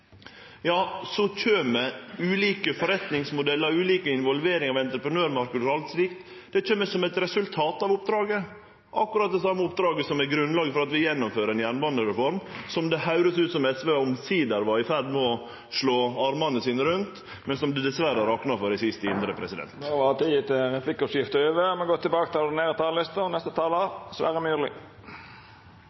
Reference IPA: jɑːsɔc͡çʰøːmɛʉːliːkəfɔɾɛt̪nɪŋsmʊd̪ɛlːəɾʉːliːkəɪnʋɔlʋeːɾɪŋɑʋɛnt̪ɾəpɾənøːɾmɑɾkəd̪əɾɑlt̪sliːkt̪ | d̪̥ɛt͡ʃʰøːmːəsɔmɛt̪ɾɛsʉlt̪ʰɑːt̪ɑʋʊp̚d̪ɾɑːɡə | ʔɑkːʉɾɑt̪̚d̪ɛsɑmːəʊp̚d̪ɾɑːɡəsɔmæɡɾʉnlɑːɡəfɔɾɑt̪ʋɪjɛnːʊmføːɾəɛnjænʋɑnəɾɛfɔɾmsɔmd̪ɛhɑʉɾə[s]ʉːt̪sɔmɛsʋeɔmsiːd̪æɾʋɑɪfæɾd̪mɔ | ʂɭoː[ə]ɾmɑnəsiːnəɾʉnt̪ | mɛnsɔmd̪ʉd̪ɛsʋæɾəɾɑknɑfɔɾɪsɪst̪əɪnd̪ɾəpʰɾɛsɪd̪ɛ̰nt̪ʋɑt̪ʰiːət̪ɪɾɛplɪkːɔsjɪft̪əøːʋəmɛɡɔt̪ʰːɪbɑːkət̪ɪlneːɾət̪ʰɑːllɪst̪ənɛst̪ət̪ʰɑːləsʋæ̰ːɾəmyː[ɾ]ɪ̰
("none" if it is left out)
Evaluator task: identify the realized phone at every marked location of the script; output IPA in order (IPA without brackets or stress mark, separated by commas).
s, ɑ, l